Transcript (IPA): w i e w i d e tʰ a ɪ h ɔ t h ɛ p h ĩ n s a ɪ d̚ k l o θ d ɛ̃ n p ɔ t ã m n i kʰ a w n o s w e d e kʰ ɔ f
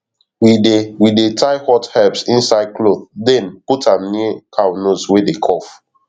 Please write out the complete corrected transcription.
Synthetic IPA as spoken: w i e w i d e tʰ a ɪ h ɔ t h ɛ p s ĩ n s a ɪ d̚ k l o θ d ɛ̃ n p u t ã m n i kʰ a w n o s w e d e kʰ ɔ f